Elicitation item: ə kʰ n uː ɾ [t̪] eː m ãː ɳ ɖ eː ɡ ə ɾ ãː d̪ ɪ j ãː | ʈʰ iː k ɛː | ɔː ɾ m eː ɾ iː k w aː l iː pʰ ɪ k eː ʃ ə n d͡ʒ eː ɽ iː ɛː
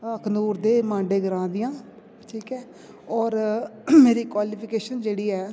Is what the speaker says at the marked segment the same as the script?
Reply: no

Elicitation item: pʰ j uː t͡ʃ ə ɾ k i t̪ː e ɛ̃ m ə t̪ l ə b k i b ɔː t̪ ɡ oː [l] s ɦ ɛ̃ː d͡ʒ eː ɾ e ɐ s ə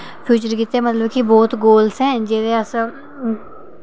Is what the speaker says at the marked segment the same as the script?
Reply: yes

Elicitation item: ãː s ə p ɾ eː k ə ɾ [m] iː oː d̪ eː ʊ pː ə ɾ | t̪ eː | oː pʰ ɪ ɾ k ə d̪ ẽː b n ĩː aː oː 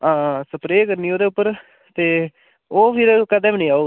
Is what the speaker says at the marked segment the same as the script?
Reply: no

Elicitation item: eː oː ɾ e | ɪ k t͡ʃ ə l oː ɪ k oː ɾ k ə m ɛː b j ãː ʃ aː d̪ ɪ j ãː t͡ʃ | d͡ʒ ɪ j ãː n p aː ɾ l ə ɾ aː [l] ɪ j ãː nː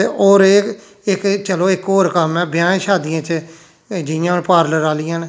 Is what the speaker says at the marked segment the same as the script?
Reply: yes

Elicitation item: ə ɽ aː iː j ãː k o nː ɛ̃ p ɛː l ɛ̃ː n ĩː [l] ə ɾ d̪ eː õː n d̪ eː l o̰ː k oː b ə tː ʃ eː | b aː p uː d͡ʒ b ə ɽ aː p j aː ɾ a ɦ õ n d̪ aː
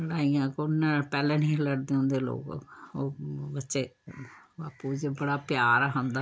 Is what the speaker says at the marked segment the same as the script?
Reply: yes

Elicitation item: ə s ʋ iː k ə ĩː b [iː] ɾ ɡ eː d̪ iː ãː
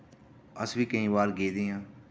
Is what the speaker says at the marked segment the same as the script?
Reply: no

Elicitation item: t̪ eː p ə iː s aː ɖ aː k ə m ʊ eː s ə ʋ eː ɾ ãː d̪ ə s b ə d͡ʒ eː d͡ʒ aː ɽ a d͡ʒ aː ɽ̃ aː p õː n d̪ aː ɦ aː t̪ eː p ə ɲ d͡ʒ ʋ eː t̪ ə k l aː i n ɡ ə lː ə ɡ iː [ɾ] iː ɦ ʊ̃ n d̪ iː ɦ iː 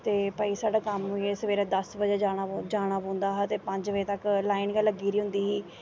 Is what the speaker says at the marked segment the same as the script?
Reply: yes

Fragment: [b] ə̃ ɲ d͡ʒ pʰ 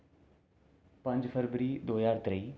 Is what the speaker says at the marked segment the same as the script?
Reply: no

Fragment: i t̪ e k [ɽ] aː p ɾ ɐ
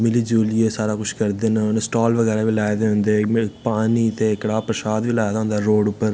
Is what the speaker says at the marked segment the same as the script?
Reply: yes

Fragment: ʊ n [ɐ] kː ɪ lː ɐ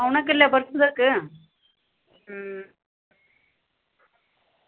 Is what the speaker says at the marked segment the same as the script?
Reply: yes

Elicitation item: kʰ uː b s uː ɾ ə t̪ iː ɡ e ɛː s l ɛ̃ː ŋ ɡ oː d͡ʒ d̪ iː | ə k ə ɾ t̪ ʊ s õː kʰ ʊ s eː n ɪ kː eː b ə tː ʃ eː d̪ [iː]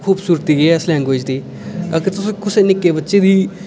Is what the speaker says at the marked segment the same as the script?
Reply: yes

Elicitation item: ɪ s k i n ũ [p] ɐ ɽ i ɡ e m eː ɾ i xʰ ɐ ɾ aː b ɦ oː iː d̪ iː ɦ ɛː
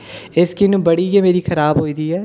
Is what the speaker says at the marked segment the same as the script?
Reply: no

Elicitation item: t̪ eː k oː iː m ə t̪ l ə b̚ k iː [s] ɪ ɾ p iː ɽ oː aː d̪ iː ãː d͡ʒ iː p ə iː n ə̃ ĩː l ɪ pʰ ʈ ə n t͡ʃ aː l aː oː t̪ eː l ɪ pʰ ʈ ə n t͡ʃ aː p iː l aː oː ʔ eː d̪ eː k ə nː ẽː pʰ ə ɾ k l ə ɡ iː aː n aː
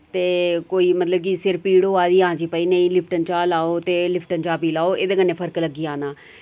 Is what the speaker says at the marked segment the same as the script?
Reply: yes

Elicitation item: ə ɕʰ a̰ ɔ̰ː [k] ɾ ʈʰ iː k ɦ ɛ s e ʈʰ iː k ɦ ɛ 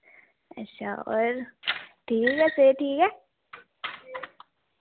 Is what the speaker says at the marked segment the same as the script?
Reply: no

